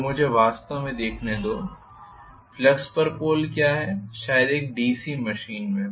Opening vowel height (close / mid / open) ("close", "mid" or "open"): close